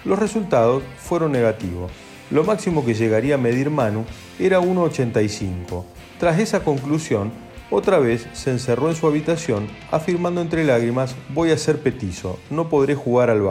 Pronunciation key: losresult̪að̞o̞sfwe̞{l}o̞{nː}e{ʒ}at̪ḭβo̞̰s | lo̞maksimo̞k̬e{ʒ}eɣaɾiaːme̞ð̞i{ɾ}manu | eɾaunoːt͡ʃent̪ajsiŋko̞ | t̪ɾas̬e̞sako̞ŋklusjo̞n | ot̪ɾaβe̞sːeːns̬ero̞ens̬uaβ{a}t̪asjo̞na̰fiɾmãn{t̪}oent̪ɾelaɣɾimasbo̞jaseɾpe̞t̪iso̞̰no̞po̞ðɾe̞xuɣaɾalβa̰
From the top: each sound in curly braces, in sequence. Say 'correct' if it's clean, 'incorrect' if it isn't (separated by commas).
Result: incorrect, correct, incorrect, correct, correct, incorrect, incorrect